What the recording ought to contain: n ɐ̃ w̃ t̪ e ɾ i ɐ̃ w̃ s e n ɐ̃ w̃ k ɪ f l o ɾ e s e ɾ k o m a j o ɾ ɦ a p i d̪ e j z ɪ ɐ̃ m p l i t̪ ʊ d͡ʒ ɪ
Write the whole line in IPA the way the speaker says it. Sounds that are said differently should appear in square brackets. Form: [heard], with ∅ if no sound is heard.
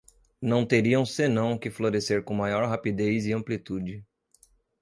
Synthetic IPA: n ɐ̃ w̃ t̪ e ɾ i ɐ̃ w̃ s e n ɐ̃ w̃ k ɪ f l o ɾ e s e ɾ k [õ] m a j [ɔ] ɾ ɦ a p i d̪ e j z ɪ ɐ̃ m p l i t̪ [u] d͡ʒ ɪ

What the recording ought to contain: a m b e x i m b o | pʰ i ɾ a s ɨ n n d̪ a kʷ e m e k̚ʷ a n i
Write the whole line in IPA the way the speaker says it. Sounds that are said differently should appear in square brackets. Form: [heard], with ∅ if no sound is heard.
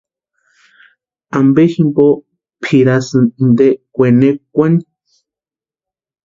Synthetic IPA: a m b e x i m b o | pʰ i ɾ a s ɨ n n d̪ [e] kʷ e [n] e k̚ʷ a n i

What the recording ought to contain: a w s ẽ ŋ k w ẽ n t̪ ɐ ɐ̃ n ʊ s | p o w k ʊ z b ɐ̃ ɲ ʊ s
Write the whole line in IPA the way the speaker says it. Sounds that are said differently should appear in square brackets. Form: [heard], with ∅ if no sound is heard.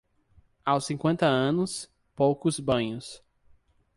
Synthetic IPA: a w s [ĩ] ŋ k w ẽ n t̪ ɐ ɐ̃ n ʊ s | p o w k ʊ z b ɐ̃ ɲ ʊ s

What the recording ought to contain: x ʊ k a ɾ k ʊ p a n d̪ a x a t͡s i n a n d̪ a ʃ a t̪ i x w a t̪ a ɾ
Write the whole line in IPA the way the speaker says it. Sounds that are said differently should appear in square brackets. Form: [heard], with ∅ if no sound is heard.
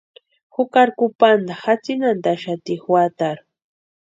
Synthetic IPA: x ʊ k a ɾ k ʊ p a n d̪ a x a t͡s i n a n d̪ a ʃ a t̪ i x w a t̪ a ɾ

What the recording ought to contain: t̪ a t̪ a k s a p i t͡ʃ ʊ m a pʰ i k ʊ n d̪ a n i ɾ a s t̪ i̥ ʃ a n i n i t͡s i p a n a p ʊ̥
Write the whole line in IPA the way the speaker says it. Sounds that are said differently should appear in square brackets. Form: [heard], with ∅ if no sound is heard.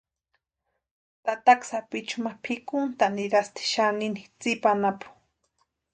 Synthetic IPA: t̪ a t̪ a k s a p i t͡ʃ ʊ m a pʰ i k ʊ n [t̪] a n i ɾ a s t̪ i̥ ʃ a n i n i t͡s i p a n a p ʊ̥

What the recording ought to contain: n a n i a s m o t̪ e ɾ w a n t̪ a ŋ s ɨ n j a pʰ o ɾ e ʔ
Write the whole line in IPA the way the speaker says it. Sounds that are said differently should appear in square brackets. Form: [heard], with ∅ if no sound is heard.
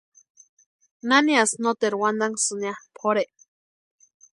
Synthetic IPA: n a n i a s [n] o t̪ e ɾ w a n [d̪] a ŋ s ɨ n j a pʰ o ɾ e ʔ

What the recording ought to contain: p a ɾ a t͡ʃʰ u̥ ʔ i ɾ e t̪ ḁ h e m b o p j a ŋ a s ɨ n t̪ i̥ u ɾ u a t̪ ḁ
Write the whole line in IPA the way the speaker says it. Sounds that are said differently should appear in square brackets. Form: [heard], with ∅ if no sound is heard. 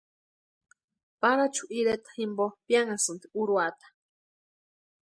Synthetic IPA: p a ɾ a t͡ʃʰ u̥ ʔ i ɾ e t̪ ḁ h [i] m b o p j a ŋ a s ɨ n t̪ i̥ u ɾ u a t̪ ḁ

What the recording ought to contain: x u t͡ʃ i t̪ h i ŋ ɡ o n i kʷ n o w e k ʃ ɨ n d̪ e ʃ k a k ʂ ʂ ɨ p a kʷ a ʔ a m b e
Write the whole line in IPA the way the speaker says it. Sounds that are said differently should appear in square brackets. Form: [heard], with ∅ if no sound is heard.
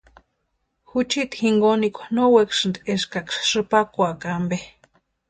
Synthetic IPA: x u t͡ʃ i t̪ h i ŋ ɡ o n i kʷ n o w e k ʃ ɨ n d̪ e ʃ k a k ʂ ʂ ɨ p a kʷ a [k] a m b e

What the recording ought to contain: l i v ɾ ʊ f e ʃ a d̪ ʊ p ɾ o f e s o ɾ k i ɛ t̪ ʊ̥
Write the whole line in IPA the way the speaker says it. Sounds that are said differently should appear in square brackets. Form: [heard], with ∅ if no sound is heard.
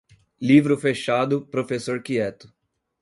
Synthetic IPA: l i v ɾ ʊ f e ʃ a d̪ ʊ p ɾ o f e s o ɾ k i ɛ t̪ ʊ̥

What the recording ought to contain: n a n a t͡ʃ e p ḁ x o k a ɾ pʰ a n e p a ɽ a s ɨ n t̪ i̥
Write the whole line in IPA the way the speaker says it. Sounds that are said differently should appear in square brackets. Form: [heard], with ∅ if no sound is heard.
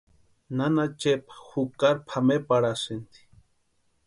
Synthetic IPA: n a n a t͡ʃ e p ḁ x [u] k a ɾ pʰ a [m] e p a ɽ a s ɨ n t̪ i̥

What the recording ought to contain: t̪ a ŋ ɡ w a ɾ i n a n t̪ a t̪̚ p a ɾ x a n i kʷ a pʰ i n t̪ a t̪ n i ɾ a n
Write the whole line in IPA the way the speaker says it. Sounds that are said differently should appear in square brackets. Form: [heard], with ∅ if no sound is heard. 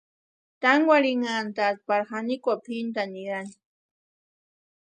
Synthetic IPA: t̪ a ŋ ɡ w a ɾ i [ŋ] a n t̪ a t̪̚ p a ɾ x a n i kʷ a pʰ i n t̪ a [∅] n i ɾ a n

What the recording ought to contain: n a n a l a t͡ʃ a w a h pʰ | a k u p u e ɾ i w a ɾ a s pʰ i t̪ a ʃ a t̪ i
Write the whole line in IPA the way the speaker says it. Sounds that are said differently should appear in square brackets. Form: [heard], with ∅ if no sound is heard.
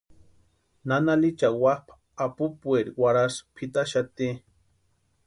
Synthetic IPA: n a n a l [i] t͡ʃ a w a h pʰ | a [p] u p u e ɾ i w a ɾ a s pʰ i t̪ a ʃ a t̪ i

